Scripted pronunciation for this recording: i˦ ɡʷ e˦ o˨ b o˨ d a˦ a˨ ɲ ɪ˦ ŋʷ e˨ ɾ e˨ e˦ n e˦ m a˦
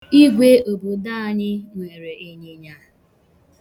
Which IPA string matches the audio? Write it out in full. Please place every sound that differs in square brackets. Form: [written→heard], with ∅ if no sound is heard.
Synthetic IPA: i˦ ɡʷ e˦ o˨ b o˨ d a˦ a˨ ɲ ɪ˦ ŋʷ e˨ ɾ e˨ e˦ [n→ɲ] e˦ [m→ɲ] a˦